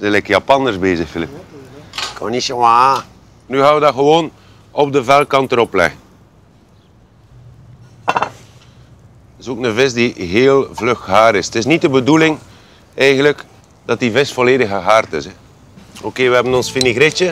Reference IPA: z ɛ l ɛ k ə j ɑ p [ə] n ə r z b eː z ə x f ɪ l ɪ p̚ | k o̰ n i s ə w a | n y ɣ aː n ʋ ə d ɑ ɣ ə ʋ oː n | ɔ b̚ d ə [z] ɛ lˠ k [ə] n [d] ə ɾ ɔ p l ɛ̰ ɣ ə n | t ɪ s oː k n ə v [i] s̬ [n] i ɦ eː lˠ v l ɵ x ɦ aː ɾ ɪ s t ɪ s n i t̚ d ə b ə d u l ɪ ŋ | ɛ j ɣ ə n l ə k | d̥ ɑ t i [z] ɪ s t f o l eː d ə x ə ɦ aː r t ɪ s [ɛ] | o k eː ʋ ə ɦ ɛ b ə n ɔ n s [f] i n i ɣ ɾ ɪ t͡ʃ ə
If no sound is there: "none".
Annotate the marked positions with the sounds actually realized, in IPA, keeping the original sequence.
ɑ, v, ɑ, t, ɪ, d, v, ɛ, f

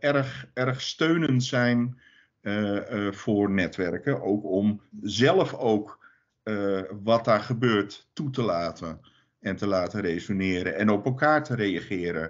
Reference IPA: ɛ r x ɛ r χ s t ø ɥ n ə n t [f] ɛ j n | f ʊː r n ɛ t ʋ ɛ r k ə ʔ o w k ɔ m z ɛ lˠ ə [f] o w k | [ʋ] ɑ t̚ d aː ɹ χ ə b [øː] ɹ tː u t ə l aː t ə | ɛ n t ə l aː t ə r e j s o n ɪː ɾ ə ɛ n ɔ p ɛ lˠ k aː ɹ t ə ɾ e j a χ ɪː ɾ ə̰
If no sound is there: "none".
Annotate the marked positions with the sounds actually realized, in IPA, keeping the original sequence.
s, f, ʋ, øː

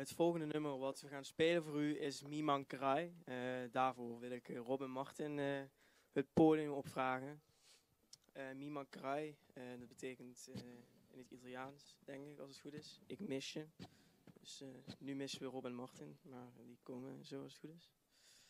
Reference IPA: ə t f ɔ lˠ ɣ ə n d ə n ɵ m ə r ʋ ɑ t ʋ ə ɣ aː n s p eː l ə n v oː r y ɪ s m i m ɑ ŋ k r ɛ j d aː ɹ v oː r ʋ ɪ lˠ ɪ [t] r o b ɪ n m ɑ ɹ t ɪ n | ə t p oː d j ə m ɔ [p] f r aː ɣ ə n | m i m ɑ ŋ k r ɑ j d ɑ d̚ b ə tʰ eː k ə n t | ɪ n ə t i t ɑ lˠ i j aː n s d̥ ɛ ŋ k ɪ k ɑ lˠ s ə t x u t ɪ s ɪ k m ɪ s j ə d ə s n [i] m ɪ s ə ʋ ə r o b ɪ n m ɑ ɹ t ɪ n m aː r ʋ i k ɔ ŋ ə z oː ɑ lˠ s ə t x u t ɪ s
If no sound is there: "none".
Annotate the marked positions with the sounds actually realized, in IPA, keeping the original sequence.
k, p, y

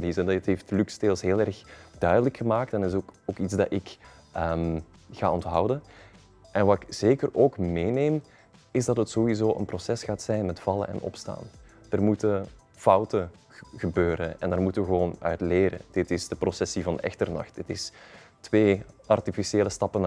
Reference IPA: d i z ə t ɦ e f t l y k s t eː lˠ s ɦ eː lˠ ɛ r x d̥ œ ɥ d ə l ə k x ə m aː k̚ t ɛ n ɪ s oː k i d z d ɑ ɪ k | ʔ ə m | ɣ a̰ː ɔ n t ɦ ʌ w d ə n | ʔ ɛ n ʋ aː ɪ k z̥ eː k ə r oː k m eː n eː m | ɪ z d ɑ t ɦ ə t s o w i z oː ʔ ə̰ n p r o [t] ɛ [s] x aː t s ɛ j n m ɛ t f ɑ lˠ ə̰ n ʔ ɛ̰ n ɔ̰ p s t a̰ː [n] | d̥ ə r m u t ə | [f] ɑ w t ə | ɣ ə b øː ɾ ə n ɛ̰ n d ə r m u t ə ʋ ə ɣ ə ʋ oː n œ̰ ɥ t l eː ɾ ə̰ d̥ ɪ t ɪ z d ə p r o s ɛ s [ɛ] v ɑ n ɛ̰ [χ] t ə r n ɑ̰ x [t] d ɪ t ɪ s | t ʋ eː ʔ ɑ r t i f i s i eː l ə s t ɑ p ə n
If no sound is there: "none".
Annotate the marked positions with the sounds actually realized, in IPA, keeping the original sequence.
s, s, n, f, i, x, t

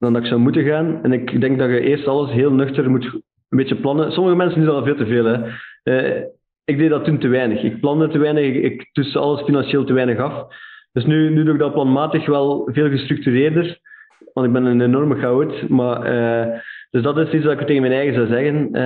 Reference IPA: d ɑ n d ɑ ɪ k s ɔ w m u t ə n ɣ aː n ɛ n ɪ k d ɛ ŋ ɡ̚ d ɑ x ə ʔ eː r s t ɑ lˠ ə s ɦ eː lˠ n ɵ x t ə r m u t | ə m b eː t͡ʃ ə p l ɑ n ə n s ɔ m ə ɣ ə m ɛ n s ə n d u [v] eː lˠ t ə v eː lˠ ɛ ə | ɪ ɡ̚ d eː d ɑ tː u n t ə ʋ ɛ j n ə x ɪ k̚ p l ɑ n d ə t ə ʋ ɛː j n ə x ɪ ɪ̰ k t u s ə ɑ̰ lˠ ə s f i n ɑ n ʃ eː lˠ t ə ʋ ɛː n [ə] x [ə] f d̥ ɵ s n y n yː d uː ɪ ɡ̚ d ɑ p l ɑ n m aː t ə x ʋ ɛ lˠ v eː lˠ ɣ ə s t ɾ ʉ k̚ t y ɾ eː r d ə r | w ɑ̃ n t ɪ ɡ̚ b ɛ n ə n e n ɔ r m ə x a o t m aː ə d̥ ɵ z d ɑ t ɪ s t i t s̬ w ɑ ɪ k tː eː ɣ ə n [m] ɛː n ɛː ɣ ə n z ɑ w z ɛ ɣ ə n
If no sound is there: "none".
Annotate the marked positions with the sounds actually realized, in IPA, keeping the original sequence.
v, ə, ɑ, m

